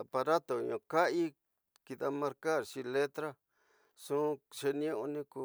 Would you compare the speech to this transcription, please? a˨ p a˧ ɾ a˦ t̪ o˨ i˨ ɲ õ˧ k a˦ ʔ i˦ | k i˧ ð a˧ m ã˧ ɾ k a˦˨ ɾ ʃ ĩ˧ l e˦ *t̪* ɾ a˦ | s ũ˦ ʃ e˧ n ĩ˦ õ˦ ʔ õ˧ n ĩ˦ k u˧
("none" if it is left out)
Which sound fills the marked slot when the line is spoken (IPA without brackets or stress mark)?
t̪